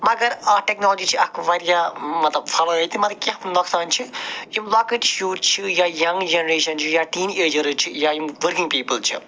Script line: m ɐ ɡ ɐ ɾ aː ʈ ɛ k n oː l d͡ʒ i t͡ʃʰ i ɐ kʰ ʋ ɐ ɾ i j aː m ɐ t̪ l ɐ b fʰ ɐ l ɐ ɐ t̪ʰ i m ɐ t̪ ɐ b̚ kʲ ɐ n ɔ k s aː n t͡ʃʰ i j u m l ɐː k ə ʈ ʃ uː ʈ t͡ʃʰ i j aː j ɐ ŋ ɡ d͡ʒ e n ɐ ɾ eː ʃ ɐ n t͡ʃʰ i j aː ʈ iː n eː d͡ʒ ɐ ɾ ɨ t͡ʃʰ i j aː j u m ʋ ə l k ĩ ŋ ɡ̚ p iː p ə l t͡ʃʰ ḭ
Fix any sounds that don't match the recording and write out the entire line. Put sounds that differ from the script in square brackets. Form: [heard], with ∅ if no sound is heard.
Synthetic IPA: m ɐ ɡ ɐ ɾ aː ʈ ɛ k n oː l d͡ʒ i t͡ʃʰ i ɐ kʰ ʋ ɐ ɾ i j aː m ɐ t̪ l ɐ b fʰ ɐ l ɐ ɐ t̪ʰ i m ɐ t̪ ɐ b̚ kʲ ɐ n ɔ k s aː n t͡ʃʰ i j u m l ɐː k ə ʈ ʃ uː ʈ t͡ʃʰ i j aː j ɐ ŋ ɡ d͡ʒ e n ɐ ɾ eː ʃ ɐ n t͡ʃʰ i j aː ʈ iː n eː d͡ʒ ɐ ɾ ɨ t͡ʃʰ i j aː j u m ʋ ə [ɾ] k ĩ ŋ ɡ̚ p iː p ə l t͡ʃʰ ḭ